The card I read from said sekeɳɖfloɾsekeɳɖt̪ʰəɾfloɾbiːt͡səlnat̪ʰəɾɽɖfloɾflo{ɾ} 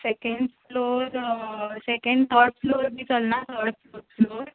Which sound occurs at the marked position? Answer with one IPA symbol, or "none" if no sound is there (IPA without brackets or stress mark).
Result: ɾ